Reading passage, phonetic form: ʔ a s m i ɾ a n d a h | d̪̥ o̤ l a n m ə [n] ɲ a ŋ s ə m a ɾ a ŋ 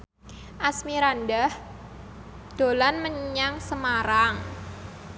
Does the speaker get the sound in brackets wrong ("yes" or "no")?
yes